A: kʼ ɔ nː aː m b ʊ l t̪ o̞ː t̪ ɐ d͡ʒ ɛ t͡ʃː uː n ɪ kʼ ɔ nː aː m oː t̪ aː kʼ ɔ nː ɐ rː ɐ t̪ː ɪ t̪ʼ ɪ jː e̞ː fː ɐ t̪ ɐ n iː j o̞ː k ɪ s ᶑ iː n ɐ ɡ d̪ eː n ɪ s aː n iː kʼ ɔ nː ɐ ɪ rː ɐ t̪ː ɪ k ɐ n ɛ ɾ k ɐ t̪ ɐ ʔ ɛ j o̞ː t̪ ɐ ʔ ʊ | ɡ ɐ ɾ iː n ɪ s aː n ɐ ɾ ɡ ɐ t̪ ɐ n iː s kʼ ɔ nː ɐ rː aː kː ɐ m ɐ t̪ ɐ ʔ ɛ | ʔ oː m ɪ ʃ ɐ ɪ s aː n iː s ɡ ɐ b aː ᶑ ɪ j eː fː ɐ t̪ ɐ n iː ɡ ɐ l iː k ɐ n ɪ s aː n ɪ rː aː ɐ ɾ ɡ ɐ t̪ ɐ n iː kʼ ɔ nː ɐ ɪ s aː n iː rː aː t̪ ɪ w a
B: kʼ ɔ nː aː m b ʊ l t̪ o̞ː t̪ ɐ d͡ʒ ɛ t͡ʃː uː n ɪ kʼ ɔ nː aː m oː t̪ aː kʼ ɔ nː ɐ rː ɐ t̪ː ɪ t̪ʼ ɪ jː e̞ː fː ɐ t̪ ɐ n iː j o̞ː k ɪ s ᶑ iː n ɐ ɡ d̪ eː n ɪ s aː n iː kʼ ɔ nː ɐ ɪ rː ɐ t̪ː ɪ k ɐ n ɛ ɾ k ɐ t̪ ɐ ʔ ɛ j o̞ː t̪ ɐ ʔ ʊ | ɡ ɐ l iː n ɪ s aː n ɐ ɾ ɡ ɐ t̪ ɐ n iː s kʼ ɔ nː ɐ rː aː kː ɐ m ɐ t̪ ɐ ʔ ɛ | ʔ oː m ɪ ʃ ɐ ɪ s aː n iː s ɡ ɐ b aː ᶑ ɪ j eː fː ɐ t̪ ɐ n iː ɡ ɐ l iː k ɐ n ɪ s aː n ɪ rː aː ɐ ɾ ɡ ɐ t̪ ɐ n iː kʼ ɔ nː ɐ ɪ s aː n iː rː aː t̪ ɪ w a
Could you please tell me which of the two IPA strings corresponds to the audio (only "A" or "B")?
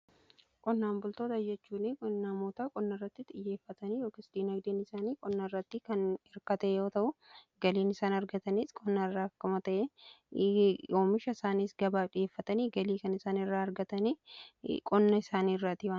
B